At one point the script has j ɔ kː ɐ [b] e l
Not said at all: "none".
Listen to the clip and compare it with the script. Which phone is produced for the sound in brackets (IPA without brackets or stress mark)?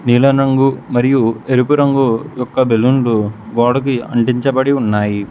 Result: b